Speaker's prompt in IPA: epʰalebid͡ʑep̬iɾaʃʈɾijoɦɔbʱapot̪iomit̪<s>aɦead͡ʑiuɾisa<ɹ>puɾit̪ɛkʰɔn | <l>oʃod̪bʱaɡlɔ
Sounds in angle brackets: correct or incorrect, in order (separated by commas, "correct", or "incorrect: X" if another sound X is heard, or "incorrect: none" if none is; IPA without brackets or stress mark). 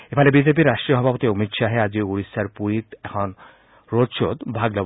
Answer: incorrect: ʃ, incorrect: ɾ, incorrect: ɾ